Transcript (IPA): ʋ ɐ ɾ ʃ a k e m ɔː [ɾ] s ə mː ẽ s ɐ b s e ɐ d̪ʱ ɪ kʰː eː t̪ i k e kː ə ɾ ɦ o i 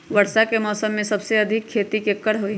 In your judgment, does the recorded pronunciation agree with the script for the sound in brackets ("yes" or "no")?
no